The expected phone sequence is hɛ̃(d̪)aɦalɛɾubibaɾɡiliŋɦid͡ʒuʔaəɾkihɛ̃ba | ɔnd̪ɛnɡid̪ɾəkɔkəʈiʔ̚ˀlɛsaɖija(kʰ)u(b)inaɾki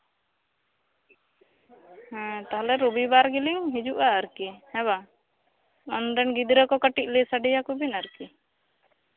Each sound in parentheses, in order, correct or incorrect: incorrect: t̪, incorrect: k, correct

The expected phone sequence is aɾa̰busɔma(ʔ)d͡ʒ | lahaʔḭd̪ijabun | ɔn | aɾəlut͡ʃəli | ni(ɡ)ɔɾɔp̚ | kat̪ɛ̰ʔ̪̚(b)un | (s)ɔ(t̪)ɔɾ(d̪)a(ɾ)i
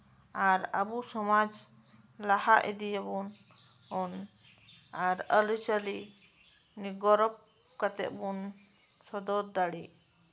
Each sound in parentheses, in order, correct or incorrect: incorrect: none, correct, correct, correct, incorrect: d̪, correct, incorrect: ɽ

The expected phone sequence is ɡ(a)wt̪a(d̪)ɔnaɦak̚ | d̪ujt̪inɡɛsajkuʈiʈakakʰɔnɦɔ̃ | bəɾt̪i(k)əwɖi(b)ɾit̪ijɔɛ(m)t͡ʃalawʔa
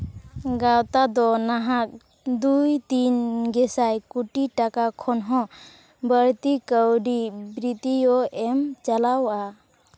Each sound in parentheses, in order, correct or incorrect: correct, correct, correct, correct, correct

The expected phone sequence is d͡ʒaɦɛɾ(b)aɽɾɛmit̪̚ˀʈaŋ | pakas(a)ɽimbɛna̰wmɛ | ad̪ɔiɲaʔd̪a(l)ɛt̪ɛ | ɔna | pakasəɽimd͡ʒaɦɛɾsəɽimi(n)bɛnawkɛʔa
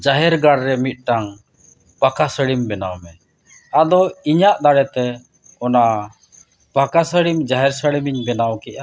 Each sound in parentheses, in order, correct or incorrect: incorrect: ɡ, incorrect: ə, incorrect: ɽ, incorrect: ɲ

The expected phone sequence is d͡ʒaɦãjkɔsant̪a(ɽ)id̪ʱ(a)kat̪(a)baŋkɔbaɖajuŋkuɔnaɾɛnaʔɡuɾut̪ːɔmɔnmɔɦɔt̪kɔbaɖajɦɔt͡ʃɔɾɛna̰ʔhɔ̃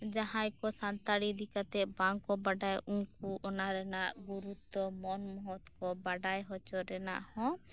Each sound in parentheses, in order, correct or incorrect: correct, incorrect: i, incorrect: ɛ

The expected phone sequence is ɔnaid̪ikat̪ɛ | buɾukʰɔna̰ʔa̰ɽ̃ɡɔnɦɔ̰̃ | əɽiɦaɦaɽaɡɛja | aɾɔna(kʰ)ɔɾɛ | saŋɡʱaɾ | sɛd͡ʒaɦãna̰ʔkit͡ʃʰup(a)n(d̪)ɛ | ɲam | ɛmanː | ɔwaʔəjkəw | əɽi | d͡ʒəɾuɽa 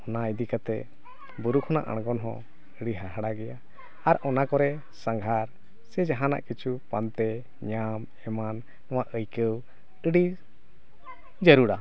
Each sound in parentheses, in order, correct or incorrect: incorrect: k, correct, incorrect: t̪

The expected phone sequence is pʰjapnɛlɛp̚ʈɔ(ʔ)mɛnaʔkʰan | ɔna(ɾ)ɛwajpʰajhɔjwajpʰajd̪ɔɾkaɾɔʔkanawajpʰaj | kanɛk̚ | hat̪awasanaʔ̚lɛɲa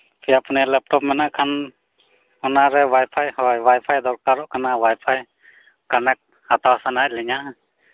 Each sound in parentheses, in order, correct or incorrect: incorrect: p, correct

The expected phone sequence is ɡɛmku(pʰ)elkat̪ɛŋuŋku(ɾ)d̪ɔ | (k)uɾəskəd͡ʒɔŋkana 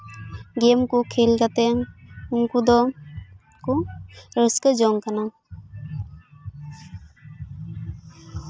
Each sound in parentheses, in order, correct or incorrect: incorrect: kʰ, incorrect: none, correct

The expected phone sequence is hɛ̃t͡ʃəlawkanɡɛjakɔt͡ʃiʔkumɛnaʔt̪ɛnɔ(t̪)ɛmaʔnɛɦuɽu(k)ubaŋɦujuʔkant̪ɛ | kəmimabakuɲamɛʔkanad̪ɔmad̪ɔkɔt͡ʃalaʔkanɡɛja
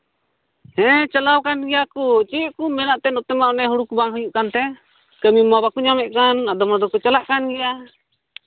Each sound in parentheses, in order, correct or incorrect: correct, correct

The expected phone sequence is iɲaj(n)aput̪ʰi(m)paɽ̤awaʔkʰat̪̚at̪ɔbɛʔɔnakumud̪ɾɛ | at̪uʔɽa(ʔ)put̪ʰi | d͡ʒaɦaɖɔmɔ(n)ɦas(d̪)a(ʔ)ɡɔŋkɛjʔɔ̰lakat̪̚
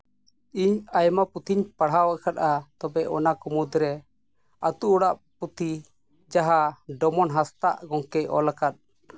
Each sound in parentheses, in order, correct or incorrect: incorrect: m, incorrect: ɲ, correct, correct, incorrect: t̪, correct

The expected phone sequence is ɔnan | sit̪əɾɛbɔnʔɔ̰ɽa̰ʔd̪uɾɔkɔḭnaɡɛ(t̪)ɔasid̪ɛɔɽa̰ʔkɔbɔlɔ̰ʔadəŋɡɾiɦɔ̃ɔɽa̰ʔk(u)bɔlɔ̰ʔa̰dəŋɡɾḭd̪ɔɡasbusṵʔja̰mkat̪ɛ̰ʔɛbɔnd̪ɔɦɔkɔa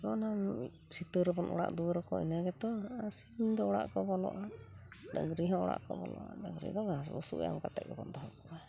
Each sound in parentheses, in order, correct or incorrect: correct, incorrect: ɔ

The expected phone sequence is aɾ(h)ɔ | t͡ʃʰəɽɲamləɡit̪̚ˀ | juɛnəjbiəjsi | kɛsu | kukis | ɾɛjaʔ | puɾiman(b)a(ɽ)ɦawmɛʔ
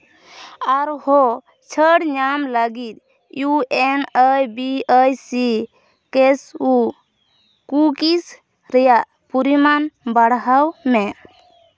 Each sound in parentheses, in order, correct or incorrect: correct, correct, correct

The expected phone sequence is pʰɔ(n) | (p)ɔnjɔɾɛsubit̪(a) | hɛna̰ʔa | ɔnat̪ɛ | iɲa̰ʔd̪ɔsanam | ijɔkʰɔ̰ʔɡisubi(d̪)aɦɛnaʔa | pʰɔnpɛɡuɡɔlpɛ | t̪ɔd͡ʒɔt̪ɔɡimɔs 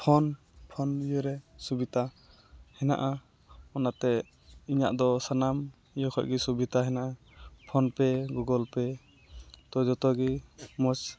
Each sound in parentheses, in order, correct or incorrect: correct, incorrect: pʰ, correct, incorrect: t̪

